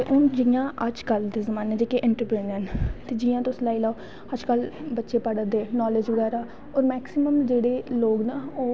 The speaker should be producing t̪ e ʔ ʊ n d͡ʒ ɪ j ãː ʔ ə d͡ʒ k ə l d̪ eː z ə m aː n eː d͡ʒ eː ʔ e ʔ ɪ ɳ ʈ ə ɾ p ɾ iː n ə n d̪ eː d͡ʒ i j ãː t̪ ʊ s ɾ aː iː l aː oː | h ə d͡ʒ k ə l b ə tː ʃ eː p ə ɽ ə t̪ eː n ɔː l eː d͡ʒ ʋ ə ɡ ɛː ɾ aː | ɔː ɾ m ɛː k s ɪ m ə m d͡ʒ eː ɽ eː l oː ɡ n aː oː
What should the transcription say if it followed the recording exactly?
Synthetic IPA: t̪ e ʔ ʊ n d͡ʒ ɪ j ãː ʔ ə d͡ʒ k ə l d̪ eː z ə m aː n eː d͡ʒ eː k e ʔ ɪ ɳ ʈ ə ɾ p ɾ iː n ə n t̪ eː d͡ʒ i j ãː t̪ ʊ s l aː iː l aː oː | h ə d͡ʒ k ə l b ə tː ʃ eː p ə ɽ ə d̪ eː n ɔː l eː d͡ʒ ʋ ə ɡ ɛː ɾ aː | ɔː ɾ m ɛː k s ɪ m ə m d͡ʒ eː ɽ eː l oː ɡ n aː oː